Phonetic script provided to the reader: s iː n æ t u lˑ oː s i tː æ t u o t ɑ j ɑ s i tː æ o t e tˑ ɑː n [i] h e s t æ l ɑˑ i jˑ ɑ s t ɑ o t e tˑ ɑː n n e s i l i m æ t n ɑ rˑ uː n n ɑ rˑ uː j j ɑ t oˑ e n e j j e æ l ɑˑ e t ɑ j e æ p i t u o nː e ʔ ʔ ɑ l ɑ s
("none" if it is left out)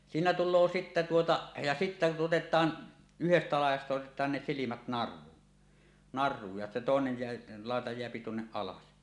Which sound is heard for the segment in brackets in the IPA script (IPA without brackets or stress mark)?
y